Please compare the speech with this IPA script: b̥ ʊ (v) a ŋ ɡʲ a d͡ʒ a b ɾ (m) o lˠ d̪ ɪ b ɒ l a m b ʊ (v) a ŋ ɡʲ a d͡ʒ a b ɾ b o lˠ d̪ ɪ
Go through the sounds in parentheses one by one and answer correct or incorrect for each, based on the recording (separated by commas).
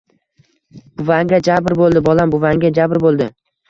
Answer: correct, incorrect, correct